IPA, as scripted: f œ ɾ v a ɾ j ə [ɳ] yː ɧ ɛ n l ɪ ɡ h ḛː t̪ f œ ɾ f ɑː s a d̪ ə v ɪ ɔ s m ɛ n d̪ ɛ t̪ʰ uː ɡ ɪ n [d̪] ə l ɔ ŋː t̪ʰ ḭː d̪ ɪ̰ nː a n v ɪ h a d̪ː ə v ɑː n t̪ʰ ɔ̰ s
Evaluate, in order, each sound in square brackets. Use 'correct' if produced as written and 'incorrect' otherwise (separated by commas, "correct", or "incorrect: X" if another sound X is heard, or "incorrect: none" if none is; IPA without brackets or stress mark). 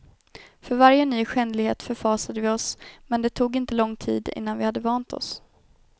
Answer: incorrect: n, incorrect: t̪